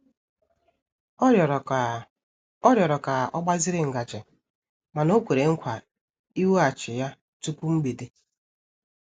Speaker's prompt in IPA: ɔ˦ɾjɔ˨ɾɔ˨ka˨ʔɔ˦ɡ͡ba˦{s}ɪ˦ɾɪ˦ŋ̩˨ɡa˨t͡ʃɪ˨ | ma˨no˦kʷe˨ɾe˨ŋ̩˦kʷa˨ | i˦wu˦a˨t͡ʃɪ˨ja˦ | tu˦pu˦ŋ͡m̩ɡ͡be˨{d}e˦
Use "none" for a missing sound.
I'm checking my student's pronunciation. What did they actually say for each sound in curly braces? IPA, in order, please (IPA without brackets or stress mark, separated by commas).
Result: z, d